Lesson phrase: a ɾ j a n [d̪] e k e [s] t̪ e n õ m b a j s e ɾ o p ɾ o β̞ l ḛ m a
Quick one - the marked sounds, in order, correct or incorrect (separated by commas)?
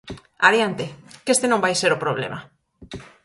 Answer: incorrect, correct